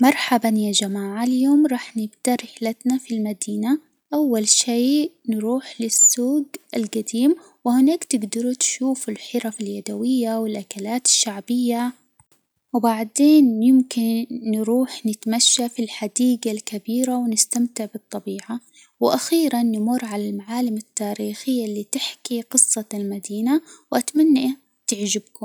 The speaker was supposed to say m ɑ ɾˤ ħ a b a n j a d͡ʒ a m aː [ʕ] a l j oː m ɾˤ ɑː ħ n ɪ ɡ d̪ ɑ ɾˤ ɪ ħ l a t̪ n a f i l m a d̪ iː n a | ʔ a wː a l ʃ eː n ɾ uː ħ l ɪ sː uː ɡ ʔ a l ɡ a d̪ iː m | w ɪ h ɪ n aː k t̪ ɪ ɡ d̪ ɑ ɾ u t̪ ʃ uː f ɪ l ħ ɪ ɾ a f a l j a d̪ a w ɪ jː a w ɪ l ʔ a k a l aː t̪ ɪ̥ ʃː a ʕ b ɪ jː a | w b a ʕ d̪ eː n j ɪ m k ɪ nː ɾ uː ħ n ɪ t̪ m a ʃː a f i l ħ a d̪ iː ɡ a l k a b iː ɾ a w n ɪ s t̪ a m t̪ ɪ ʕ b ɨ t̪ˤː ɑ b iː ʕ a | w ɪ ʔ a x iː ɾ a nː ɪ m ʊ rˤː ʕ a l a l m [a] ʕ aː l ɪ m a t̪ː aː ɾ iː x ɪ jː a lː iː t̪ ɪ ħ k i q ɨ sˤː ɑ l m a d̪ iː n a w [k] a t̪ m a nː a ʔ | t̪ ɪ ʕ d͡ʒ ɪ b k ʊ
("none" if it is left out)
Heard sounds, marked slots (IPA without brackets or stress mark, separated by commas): ʕ, a, ʔ